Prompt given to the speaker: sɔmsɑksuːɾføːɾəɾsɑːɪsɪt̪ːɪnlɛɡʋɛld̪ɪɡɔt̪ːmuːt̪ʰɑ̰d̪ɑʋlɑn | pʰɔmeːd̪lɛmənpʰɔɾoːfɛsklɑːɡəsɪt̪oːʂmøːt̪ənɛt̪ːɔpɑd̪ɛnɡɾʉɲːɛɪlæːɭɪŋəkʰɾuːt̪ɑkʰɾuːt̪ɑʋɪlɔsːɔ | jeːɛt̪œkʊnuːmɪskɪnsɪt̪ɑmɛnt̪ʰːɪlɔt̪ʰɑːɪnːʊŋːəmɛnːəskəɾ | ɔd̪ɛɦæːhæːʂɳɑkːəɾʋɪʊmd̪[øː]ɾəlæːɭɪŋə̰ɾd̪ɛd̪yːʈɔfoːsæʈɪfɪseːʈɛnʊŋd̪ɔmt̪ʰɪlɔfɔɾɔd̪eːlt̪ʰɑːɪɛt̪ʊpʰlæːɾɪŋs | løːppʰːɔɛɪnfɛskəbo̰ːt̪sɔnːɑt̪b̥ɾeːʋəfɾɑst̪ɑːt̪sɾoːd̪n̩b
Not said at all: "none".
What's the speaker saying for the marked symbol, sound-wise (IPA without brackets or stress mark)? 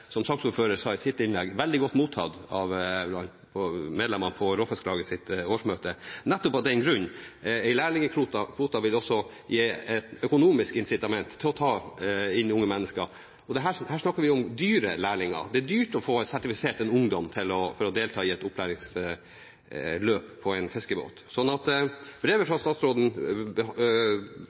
yː